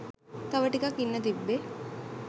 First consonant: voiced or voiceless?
voiceless